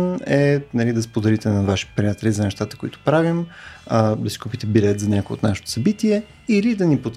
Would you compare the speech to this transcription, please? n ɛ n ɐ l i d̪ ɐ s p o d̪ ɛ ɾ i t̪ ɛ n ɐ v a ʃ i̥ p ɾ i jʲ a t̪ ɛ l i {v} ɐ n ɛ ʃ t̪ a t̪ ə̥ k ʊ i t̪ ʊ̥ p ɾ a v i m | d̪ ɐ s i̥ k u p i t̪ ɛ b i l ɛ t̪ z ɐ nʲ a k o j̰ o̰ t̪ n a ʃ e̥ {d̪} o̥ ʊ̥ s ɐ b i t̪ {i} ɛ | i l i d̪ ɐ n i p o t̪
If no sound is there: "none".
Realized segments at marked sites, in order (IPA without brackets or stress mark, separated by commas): z, t̪, i